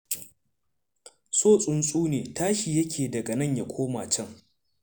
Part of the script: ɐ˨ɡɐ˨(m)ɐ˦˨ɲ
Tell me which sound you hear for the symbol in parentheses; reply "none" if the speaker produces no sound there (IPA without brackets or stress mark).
n